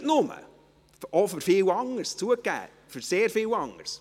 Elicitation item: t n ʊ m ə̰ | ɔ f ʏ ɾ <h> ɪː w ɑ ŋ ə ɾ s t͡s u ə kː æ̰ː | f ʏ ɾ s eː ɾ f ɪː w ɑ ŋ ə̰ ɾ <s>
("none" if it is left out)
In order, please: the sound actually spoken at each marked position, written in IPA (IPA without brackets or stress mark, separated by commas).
f, s